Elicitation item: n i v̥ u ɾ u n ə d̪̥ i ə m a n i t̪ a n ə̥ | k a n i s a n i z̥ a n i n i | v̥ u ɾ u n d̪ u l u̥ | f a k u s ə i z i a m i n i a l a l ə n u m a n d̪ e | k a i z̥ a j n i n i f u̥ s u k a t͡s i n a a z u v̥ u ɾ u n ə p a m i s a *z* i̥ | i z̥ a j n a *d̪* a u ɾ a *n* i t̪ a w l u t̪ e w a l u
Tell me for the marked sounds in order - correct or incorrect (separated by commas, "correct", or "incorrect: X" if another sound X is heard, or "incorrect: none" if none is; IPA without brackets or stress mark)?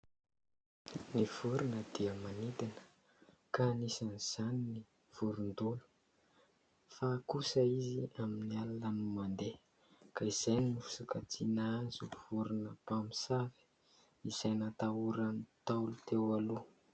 incorrect: v, incorrect: t̪, correct